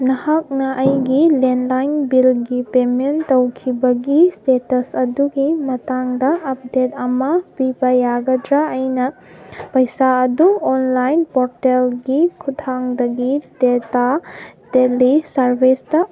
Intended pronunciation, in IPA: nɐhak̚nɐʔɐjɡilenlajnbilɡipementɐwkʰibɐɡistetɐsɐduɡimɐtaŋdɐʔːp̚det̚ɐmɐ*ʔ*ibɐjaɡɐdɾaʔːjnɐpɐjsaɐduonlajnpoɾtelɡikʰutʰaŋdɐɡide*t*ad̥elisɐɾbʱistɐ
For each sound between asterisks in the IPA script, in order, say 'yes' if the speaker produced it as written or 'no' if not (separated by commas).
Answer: no, yes